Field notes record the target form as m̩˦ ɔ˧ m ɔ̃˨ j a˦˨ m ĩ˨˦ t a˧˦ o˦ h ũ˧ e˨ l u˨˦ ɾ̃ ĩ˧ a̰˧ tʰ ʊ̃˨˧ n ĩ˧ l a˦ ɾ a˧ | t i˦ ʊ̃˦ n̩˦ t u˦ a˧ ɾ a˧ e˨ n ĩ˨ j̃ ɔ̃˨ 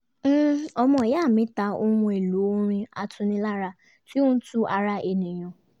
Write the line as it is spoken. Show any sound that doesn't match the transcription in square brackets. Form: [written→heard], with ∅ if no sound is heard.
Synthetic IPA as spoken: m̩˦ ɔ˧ m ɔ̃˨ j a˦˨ m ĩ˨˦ t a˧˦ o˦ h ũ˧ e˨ l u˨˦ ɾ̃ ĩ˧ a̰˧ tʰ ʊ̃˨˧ n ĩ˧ l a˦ ɾ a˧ | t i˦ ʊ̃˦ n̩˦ t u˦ a˧ ɾ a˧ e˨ n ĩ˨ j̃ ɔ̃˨